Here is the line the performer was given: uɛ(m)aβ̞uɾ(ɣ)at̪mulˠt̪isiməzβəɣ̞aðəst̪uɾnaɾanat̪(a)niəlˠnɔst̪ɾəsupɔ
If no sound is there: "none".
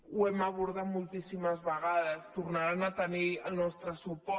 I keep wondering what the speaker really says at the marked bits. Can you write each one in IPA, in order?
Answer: m, ð, ə

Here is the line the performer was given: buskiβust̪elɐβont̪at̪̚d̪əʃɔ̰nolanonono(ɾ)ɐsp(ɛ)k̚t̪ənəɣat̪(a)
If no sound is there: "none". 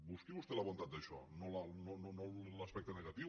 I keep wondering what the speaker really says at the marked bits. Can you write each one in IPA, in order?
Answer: l, ɛ, i

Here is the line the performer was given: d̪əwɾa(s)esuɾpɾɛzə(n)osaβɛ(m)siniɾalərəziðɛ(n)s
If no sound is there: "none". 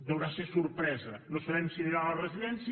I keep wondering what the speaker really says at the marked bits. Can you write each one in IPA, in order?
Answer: s, n, m, n

